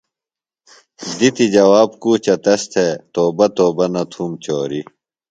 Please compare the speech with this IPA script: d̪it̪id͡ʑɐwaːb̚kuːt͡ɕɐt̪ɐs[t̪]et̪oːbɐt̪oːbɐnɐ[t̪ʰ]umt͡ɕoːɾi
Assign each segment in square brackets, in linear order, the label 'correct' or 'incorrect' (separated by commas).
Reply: incorrect, correct